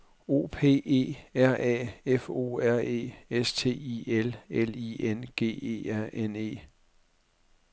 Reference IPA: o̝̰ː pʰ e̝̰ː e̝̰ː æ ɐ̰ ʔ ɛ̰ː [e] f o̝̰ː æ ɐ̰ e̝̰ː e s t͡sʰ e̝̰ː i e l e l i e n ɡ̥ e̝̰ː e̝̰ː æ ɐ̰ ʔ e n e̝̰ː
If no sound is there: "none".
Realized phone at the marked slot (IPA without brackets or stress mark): e